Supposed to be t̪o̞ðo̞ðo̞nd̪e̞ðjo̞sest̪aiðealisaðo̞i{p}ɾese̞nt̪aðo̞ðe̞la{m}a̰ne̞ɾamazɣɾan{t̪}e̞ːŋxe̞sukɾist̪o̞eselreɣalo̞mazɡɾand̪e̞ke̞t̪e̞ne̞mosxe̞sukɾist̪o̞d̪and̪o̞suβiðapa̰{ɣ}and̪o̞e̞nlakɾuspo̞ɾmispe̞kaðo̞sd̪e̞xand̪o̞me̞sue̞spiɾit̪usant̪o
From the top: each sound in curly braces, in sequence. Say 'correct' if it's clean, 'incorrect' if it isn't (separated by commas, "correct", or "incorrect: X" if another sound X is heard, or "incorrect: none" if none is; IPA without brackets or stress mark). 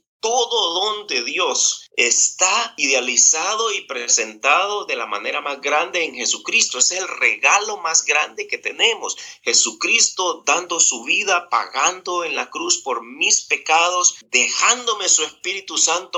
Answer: correct, correct, incorrect: d̪, correct